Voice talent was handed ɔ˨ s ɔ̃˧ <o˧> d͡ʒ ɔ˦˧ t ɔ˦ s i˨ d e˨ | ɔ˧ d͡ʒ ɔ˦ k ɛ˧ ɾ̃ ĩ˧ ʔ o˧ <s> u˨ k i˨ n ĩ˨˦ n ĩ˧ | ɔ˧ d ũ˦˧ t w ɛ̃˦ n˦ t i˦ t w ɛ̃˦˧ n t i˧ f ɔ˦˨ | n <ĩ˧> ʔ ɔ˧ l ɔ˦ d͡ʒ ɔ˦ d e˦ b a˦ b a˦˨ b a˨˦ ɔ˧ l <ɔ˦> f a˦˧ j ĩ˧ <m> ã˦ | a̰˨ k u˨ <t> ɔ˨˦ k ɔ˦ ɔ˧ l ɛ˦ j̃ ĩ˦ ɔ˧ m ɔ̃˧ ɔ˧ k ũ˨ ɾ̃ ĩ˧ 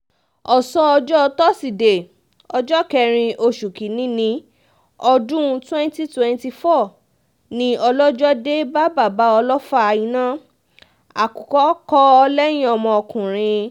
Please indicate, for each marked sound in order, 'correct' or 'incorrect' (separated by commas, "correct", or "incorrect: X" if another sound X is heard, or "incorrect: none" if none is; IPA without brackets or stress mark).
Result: incorrect: ɔ˧, incorrect: ʃ, correct, correct, incorrect: n, incorrect: k